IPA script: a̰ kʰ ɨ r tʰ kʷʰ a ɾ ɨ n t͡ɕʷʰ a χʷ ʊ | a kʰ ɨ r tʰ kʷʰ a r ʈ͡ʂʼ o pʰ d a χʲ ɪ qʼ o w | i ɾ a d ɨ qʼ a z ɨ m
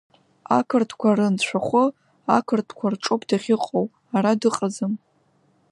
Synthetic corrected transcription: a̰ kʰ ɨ r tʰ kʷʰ a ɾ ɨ n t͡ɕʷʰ a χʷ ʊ | a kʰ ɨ r tʰ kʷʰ a r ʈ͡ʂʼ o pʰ d a χʲ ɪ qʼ o w | a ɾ a d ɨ qʼ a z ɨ m

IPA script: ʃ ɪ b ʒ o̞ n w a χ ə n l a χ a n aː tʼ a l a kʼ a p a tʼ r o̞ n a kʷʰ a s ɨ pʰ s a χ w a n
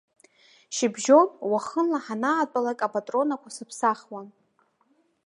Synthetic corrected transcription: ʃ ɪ b ʒ o̞ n w a χ ə n l a ħ a n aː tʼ a l a kʼ a p a tʼ r o̞ n a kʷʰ a s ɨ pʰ s a χ w a n

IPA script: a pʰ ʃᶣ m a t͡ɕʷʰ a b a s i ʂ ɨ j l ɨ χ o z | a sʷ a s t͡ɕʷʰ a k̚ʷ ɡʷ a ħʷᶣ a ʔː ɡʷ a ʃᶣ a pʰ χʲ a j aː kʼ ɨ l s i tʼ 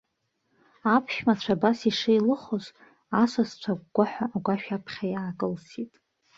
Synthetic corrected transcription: a pʰ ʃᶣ m a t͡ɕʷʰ a b a s i ʂ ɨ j l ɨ χ o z | a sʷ a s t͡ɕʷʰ a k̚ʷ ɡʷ a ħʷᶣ a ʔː ɡʷ a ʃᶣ a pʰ χʲ a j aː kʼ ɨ l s i tʼ

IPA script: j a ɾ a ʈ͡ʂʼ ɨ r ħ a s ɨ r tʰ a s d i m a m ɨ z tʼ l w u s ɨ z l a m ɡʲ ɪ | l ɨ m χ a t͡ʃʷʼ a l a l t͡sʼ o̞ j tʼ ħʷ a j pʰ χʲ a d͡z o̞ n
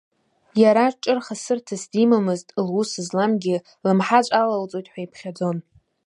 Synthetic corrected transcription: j a ɾ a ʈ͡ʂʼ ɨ r χ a s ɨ r tʰ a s d i m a m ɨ z tʼ l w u s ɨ z l a m ɡʲ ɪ | l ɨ m ħ a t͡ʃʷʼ a l a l t͡sʼ o̞ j tʼ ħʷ a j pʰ χʲ a d͡z o̞ n

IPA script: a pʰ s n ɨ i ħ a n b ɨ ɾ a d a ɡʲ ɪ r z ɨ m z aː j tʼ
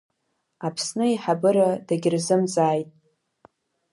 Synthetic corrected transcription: a pʰ s n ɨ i ħ a b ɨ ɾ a d a ɡʲ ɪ r z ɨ m z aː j tʼ

